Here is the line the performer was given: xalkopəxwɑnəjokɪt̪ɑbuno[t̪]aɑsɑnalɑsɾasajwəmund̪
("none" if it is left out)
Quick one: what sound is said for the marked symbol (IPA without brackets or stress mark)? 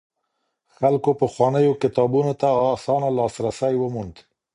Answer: t̪